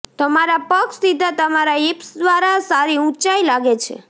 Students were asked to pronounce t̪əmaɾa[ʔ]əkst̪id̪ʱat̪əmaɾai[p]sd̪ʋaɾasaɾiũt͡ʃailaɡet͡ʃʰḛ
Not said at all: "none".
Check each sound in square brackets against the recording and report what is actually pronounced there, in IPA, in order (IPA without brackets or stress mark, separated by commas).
p, p